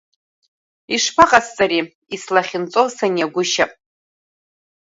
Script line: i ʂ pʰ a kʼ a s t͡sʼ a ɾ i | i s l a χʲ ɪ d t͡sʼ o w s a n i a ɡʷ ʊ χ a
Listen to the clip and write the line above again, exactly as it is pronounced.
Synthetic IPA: i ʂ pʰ a qʼ a s t͡sʼ a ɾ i | i s l a χʲ ɪ n t͡sʼ o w s a n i a ɡʷ ʊ ʃ a